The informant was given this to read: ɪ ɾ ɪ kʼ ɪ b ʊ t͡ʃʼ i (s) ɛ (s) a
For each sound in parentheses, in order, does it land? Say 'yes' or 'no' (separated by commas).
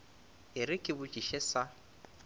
no, yes